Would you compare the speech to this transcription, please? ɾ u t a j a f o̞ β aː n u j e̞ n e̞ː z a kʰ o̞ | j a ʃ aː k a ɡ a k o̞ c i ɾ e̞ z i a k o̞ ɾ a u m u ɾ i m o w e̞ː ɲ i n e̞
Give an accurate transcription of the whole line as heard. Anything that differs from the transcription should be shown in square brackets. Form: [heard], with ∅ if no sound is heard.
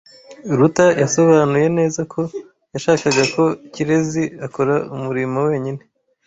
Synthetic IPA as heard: ɾ u t a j a [s] o̞ β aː n u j e̞ n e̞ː z a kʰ o̞ | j a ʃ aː k a ɡ a k o̞ c i ɾ e̞ z i a k o̞ ɾ a u m u ɾ i m o w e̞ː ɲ i n e̞